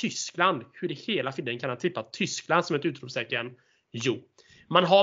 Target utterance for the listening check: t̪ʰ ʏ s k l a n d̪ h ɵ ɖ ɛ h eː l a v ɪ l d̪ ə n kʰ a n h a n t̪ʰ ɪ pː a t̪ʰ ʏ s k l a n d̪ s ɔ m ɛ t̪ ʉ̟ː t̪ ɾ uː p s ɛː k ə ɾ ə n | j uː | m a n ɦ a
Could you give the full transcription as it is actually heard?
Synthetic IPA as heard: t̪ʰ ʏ s k l a n d̪ h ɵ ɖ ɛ h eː l a f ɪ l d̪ ə n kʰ a n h a n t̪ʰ ɪ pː a t̪ʰ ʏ s k l a n d̪ s ɔ m ɛ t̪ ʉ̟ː t̪ ɾ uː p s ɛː k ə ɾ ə n | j uː | m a n ɦ a